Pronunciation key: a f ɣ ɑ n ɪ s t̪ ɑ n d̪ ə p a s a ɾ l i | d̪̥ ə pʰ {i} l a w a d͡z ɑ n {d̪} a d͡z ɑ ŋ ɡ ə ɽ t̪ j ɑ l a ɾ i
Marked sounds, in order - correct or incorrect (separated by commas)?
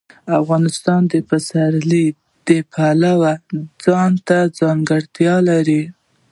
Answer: incorrect, incorrect